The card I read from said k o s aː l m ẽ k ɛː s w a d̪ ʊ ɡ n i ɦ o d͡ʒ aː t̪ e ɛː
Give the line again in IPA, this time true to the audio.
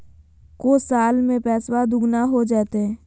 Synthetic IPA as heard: k o s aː l m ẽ p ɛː s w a d̪ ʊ ɡ n a ɦ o d͡ʒ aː t̪ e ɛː